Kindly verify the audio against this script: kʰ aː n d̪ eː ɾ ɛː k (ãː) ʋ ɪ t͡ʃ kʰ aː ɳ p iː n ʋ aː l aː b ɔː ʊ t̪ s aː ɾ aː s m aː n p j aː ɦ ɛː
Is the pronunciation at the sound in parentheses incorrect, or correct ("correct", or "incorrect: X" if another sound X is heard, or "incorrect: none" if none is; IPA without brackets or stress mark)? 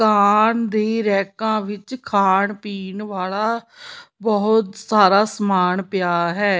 correct